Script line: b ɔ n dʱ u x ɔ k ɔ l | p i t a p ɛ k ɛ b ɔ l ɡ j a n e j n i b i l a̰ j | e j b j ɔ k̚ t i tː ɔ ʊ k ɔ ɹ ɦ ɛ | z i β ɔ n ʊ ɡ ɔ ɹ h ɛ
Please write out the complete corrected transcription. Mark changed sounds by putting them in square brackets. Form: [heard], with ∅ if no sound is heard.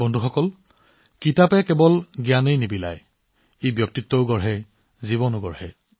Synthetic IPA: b ɔ n dʱ u x ɔ k ɔ l | [k] i t a p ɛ k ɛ b ɔ l ɡ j a n e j n i b i l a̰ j | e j b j ɔ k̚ t i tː ɔ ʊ [ɡ] ɔ ɹ ɦ ɛ | z i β ɔ n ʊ ɡ ɔ ɹ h ɛ